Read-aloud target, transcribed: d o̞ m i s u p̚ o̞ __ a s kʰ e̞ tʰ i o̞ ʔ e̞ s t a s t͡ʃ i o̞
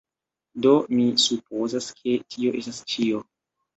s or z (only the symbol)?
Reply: z